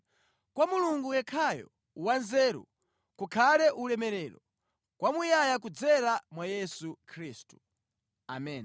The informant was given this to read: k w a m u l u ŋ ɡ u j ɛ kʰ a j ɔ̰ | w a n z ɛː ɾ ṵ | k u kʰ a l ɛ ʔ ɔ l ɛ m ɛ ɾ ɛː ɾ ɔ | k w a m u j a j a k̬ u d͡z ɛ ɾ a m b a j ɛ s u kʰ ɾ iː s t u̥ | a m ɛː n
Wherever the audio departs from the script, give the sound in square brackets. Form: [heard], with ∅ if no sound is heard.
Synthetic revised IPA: k w a m u l u ŋ ɡ u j ɛ kʰ a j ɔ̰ | w a n z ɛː ɾ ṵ | k u kʰ a l ɛ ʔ [u] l ɛ m ɛ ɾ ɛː ɾ ɔ | k w a m u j a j a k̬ u d͡z ɛ ɾ a m [w] a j ɛ s u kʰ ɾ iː s t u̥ | a m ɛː n